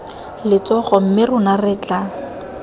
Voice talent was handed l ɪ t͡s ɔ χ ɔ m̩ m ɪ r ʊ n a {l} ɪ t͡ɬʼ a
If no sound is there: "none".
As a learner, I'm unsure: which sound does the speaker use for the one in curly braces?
r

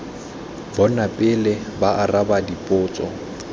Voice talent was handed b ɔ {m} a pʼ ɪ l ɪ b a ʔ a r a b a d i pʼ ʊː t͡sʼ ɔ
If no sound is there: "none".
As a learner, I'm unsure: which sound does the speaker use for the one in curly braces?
n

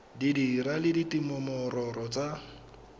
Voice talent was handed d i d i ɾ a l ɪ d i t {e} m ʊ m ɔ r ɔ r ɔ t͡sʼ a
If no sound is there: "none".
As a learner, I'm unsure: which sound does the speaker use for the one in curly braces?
i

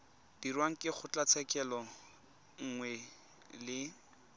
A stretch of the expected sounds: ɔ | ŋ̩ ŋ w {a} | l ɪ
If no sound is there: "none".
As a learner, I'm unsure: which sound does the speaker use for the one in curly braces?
ɛ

